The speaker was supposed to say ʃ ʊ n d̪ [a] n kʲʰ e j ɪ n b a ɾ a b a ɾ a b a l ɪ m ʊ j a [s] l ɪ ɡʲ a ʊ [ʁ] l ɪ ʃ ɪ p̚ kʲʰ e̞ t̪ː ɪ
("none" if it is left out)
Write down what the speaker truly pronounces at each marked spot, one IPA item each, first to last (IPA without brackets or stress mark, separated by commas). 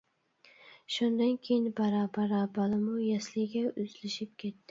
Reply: a, s, z